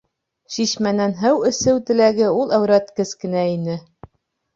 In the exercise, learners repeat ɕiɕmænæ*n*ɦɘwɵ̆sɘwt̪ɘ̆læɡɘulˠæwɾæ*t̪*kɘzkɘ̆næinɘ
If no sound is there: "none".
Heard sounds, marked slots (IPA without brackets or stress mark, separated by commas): n, t̪